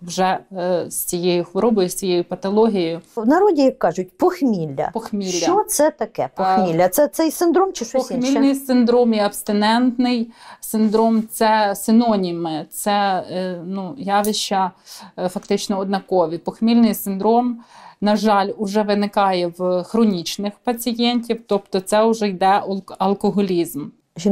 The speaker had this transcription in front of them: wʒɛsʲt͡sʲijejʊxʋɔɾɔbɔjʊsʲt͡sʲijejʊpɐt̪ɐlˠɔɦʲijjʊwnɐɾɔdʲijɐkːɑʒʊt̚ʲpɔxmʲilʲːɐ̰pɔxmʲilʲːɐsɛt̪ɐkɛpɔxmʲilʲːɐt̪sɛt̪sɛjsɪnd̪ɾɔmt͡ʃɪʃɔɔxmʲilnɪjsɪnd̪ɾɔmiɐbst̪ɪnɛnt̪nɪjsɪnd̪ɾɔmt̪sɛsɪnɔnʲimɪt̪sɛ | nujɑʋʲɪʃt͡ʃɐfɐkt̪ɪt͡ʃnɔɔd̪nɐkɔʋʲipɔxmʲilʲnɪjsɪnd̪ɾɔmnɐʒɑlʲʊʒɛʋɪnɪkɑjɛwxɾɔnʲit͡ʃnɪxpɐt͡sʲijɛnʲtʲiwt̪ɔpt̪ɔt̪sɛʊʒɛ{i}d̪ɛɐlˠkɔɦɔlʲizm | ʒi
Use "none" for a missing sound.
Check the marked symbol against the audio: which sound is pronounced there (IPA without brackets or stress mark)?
j